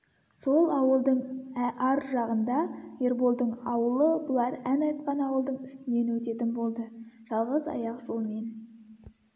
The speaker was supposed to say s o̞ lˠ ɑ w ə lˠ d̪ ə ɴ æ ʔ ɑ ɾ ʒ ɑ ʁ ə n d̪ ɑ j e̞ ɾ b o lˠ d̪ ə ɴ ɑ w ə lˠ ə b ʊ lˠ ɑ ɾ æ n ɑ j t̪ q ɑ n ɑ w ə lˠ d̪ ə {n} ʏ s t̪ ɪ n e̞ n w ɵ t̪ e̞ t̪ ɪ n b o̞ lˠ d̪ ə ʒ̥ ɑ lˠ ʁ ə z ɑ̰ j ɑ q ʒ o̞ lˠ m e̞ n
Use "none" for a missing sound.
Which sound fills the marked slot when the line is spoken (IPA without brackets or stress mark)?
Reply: ɴ